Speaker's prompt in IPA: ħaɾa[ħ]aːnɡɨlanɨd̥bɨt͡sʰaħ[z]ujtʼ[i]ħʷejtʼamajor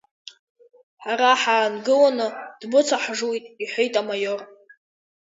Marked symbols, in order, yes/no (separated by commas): yes, no, yes